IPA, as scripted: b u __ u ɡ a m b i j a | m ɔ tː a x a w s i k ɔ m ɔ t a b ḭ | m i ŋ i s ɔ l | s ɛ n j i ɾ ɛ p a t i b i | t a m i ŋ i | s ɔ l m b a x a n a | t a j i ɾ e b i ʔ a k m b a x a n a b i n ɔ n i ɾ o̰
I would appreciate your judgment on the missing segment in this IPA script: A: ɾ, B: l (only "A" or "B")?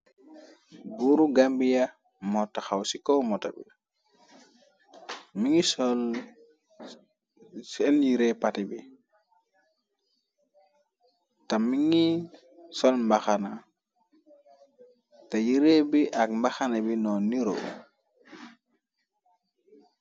A